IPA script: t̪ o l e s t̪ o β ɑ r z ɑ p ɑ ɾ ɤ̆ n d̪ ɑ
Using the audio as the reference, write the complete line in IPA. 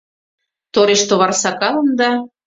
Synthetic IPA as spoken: t̪ o ɾ e ʃ t̪ o β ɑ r s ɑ k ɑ l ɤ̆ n d̪ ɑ